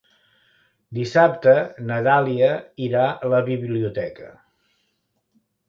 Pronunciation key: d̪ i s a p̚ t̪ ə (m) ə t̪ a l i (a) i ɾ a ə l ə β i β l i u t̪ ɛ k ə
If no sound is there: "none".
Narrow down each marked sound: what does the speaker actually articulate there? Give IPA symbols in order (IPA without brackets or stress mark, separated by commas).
n, ə